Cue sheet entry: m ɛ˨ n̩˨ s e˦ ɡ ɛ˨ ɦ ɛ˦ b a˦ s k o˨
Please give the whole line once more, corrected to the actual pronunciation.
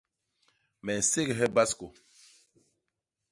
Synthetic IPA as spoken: m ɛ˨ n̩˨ s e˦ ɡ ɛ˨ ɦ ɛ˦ b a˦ s k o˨